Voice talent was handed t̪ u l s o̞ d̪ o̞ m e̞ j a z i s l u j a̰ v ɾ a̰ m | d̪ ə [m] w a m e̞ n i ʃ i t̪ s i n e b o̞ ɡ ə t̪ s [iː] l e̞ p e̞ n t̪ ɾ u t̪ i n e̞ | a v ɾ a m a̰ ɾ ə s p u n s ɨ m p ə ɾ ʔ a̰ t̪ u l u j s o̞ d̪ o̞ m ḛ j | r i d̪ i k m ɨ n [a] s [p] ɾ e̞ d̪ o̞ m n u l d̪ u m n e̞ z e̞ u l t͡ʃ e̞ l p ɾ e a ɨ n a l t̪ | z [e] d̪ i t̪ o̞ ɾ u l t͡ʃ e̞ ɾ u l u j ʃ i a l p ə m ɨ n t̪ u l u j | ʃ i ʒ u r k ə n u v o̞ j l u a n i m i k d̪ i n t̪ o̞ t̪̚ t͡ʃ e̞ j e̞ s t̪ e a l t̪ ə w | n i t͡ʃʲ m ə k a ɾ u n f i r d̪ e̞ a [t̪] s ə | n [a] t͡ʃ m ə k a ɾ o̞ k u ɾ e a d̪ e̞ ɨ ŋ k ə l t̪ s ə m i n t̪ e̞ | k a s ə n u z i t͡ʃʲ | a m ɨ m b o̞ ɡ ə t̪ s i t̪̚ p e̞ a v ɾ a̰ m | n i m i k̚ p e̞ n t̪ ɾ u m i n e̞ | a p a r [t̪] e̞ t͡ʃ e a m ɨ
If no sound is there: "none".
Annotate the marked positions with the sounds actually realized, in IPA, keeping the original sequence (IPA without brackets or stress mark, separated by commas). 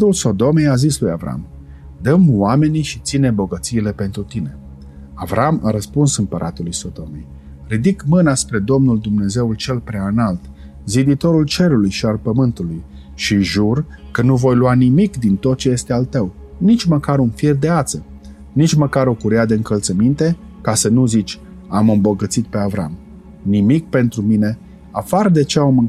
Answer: m, iː, a, p, i, t̪, i, d̪